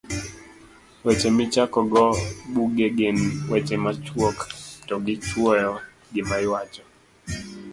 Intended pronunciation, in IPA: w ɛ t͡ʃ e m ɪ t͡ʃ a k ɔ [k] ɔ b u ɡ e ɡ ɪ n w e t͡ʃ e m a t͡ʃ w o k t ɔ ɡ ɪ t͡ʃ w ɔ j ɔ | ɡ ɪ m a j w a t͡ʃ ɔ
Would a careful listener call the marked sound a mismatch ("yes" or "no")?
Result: yes